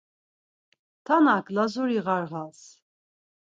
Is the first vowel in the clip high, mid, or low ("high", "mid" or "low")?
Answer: low